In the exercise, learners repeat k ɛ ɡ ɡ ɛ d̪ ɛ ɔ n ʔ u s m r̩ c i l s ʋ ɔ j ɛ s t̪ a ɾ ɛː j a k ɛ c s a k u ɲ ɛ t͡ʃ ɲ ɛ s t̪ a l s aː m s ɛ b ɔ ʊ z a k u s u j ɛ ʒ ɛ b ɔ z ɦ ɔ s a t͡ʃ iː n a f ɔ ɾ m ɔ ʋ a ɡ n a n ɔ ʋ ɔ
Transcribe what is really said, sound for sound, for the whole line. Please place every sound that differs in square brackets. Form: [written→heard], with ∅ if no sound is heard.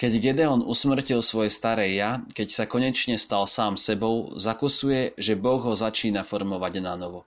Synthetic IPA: k ɛ [ɡ→ɟ] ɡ ɛ d̪ ɛ ɔ n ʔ u s m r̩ c i l s ʋ ɔ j ɛ s t̪ a ɾ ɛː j a k ɛ c s a k [u→ɔ] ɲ ɛ t͡ʃ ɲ ɛ s t̪ a l s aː m s ɛ b ɔ ʊ z a k u s u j ɛ ʒ ɛ b ɔ [z→ɣ] ɦ ɔ [s→z] a t͡ʃ iː n a f ɔ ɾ m ɔ ʋ a [ɡ→ɟ] n a n ɔ ʋ ɔ